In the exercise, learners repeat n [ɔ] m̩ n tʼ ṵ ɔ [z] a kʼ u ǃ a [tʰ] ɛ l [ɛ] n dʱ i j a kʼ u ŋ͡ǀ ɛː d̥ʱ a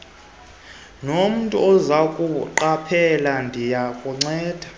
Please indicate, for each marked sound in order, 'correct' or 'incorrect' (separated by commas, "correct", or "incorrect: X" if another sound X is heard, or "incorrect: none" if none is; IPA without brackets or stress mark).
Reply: incorrect: o, correct, incorrect: pʰ, incorrect: a